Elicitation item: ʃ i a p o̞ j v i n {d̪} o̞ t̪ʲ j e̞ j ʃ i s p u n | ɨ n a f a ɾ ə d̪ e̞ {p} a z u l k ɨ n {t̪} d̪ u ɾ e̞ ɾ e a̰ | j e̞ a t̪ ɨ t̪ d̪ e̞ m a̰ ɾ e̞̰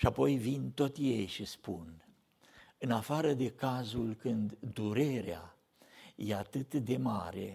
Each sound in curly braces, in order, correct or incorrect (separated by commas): incorrect, incorrect, incorrect